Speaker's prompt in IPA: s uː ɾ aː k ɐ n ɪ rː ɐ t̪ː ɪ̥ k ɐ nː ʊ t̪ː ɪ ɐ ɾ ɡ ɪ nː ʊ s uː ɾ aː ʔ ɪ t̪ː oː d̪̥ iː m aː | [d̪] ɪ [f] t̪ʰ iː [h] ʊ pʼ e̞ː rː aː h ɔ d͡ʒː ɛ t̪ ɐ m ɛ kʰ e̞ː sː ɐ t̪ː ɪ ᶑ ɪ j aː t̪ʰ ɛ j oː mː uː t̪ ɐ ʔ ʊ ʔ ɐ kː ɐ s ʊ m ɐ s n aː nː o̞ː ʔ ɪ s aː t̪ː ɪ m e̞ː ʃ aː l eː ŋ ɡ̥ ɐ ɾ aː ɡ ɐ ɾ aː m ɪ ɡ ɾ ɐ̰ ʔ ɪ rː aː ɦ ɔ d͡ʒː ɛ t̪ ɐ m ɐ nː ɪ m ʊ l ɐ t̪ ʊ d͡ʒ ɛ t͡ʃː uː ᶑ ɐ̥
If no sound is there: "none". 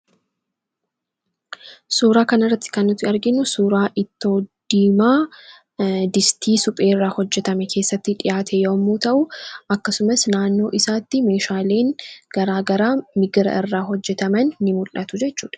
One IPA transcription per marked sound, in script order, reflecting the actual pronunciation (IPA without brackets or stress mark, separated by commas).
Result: d̪, s, s